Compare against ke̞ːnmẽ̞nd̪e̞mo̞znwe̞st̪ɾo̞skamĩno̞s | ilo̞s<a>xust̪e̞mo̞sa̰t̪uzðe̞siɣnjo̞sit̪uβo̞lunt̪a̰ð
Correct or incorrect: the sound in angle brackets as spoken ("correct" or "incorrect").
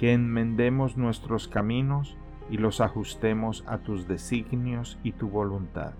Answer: correct